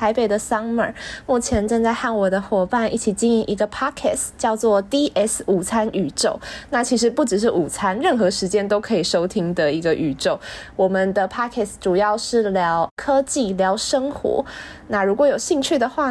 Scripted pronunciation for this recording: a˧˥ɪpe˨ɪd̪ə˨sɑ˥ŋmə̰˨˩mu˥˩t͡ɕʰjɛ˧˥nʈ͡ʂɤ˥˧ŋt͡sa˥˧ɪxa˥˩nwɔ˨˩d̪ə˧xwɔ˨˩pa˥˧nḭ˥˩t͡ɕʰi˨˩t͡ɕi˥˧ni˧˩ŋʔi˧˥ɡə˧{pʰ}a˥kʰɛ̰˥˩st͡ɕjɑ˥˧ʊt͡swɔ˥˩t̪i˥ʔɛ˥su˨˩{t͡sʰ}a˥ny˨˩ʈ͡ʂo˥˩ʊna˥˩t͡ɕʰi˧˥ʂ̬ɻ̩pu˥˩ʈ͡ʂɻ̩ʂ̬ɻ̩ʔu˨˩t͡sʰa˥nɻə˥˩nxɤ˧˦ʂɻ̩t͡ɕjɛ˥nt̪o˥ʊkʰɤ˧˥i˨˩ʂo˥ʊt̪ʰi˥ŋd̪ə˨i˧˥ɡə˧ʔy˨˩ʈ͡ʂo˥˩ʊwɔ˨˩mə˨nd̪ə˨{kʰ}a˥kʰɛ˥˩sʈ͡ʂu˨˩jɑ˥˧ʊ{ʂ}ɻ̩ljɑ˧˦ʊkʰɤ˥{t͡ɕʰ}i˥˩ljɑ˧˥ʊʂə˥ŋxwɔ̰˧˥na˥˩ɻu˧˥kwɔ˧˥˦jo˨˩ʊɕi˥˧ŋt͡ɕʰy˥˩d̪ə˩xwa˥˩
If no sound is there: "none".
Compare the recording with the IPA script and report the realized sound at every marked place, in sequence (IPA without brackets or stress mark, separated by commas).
pʰ, t͡sʰ, pʰ, ʂ, t͡ɕ